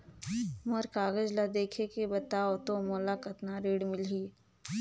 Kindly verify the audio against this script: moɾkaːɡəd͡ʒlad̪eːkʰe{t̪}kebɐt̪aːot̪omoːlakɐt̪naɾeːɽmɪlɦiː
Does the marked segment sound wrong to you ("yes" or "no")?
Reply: yes